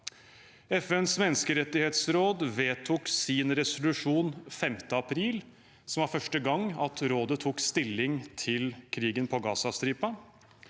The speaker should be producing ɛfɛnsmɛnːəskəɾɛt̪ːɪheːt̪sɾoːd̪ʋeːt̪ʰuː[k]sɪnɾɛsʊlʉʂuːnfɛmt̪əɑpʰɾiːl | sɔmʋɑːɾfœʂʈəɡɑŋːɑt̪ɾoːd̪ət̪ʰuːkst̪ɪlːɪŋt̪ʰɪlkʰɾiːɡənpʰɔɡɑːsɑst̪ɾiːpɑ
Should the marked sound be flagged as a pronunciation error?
no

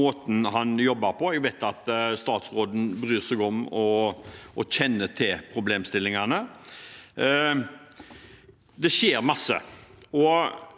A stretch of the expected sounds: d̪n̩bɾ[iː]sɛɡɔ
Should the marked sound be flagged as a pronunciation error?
yes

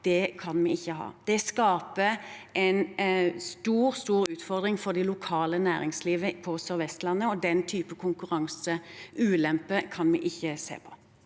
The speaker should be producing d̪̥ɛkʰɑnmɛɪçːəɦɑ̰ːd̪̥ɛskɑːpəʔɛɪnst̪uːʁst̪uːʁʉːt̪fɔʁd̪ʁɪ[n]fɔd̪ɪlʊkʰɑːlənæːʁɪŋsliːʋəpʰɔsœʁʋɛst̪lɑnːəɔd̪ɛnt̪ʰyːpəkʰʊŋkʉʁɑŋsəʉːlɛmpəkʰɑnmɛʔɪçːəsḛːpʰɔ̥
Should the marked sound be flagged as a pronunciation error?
yes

